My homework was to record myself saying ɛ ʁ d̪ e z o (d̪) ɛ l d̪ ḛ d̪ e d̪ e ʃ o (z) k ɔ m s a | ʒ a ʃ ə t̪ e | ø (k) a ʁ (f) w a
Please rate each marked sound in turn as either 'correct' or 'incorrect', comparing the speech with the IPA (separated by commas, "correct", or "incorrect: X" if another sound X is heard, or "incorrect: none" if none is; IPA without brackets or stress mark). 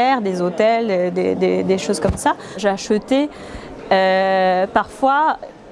incorrect: t̪, correct, incorrect: p, correct